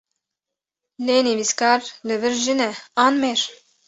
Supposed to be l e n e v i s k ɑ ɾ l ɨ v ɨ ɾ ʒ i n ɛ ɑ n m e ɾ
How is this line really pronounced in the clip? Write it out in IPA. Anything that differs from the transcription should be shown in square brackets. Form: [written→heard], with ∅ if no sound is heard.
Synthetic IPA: l e n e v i s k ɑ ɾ l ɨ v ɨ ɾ ʒ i n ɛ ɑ n m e ɾ

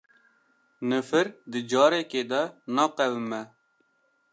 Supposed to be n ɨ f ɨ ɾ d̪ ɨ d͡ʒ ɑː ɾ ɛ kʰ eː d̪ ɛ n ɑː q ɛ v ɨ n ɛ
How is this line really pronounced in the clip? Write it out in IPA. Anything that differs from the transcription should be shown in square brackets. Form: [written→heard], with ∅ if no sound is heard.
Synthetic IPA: n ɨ f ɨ ɾ d̪ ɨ d͡ʒ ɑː ɾ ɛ [kʰ→k] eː d̪ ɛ n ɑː q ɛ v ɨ [n→m] ɛ

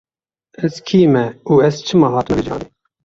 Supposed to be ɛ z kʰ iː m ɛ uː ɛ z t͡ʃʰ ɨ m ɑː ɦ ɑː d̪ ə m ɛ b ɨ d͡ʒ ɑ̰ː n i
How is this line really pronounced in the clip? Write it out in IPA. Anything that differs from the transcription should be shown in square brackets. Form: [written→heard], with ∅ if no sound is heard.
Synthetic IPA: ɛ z kʰ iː m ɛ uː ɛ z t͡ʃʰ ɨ m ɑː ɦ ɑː [d̪→t̪] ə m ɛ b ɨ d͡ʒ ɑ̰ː n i

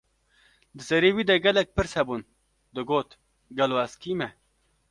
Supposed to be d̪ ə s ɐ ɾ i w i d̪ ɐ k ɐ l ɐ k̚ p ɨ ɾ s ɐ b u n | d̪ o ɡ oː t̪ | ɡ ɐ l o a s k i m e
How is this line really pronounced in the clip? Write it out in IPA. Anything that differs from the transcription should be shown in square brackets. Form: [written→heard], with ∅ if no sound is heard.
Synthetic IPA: d̪ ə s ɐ ɾ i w i d̪ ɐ [k→ɡ] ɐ l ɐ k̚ p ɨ ɾ s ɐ b u n | d̪ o ɡ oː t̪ | ɡ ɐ l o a s k i m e

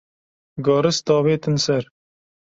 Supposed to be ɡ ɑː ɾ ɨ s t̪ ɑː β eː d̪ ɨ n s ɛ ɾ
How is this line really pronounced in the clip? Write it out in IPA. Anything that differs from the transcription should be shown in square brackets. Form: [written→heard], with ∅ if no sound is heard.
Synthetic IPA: ɡ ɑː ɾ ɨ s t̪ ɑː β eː [d̪→t̪] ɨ n s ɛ ɾ

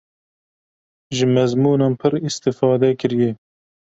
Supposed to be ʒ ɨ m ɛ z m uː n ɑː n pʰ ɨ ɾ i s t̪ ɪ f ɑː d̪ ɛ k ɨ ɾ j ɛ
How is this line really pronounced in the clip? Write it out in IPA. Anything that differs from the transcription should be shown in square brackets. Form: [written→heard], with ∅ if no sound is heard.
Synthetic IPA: ʒ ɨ m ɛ z m uː n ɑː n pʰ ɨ ɾ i s t̪ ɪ f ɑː d̪ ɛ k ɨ ɾ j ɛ

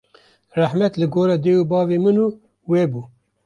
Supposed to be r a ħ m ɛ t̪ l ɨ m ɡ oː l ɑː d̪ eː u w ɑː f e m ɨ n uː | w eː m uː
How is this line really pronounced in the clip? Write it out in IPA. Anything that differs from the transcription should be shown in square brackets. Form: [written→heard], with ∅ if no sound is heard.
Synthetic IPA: r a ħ m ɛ t̪ l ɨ [m→∅] ɡ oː [l→ɾ] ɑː d̪ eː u [w→b] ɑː [f→v] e m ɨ n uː | w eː [m→b] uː

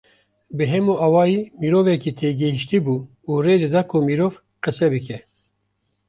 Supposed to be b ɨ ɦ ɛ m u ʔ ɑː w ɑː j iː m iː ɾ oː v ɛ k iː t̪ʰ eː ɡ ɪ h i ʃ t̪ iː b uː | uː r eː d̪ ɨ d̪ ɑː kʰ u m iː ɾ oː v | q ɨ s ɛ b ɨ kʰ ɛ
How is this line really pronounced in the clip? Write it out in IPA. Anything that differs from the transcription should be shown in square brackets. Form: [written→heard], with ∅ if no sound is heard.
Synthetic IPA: b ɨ ɦ ɛ m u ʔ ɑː w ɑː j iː m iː ɾ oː v ɛ k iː t̪ʰ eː ɡ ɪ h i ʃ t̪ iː b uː | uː r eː d̪ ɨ d̪ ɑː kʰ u m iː ɾ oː v | q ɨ s ɛ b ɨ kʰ ɛ

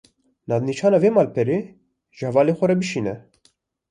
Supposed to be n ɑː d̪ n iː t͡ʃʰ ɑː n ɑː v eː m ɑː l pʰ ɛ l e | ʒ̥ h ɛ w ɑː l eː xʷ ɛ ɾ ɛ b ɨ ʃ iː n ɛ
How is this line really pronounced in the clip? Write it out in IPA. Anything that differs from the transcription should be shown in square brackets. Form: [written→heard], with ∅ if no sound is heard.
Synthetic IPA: n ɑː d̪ n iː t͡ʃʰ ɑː n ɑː v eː m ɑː l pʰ ɛ [l→ɾ] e | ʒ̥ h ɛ [w→v] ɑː l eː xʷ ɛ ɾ ɛ b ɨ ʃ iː n ɛ

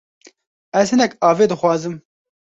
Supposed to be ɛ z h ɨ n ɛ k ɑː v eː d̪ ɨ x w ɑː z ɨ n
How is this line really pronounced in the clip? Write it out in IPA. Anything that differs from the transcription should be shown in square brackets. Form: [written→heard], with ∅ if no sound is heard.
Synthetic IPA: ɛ z h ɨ n ɛ k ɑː v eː d̪ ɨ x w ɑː z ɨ [n→m]

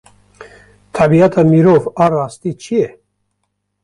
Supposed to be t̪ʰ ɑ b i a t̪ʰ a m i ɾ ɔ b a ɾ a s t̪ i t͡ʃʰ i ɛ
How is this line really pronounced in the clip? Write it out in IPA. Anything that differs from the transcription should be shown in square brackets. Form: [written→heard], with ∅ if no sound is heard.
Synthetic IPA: t̪ʰ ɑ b i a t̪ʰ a m i ɾ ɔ [b→v] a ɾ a s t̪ i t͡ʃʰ i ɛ

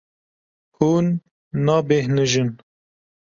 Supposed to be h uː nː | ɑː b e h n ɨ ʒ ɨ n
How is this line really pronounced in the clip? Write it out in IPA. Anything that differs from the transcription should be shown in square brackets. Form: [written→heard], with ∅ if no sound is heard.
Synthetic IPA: h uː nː | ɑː b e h n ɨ ʒ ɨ n

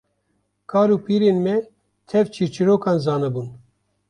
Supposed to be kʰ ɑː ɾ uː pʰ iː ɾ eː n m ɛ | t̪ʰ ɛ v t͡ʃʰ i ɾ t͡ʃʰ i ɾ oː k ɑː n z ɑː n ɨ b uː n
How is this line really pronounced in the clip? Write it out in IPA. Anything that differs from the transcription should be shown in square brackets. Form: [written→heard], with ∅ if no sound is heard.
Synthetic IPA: kʰ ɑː ɾ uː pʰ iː ɾ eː n m ɛ | t̪ʰ ɛ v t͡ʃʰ i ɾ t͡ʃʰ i ɾ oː k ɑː n z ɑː n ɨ b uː n

